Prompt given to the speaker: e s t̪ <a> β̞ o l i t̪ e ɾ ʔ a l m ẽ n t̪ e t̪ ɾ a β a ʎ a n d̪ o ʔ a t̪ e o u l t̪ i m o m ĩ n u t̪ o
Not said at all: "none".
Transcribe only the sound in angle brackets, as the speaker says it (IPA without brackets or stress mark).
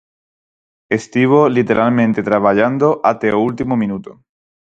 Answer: i